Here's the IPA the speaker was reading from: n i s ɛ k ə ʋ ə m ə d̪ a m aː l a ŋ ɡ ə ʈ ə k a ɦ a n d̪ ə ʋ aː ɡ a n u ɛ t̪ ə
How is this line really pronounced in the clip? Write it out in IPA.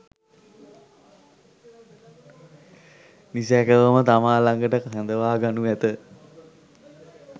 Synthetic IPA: n i s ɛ k ə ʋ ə m ə t̪ a m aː l a ŋ ɡ ə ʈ ə k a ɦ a n d̪ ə ʋ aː ɡ a n u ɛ t̪ ə